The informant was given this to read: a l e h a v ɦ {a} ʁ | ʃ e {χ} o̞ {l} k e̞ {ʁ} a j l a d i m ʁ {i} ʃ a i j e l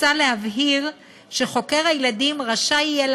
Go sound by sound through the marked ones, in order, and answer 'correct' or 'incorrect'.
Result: incorrect: i, correct, incorrect: none, correct, incorrect: a

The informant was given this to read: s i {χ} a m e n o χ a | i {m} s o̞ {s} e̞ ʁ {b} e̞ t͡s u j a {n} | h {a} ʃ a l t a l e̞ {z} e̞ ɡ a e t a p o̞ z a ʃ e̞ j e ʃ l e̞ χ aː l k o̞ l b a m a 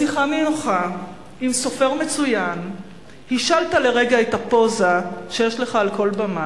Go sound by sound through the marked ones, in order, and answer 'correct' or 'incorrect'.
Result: correct, correct, incorrect: f, incorrect: m, correct, incorrect: i, incorrect: ʁ

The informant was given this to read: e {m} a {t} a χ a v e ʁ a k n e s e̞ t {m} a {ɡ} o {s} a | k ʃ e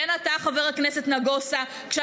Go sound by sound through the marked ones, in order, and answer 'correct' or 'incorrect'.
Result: incorrect: n, correct, incorrect: n, correct, correct

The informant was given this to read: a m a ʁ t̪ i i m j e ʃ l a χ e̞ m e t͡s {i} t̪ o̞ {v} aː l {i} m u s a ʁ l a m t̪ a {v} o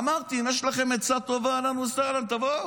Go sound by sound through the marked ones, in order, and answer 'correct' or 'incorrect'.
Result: incorrect: a, correct, incorrect: a, correct

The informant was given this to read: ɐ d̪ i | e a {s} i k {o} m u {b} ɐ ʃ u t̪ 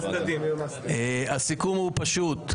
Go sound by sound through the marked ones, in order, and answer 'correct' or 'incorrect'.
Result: correct, incorrect: u, incorrect: p

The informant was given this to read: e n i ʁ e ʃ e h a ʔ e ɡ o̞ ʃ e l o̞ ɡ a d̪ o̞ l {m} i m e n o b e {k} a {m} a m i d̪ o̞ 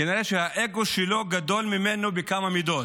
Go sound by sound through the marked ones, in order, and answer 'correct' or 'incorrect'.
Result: correct, correct, correct

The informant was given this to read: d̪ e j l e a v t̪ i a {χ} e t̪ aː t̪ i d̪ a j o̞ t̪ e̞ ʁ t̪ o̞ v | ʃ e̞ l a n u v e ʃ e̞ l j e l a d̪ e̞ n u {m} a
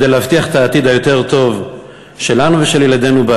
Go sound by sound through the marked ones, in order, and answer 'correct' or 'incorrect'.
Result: correct, incorrect: b

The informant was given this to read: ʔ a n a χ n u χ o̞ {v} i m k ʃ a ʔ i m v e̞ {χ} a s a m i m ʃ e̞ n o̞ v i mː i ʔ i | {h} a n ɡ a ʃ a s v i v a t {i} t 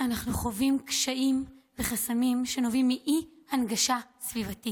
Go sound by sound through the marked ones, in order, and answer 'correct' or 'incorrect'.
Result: correct, correct, correct, correct

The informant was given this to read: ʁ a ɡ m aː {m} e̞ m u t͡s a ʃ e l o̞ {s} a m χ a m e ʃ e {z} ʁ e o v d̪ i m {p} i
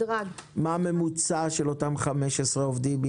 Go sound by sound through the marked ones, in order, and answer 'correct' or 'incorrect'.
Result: correct, incorrect: t, incorrect: s, incorrect: b

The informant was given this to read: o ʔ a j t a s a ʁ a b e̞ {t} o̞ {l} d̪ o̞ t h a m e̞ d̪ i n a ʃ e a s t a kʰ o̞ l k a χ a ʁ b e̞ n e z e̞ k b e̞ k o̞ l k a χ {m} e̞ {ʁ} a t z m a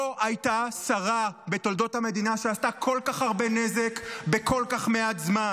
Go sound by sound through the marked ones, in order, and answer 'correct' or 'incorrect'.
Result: correct, correct, correct, incorrect: none

